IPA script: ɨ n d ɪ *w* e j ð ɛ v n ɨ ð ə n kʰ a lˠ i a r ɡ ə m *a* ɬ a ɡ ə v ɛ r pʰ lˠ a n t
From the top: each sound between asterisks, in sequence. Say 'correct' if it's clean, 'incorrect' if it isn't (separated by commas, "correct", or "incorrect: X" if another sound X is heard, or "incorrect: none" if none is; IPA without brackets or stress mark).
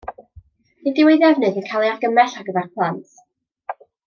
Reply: correct, incorrect: ɛ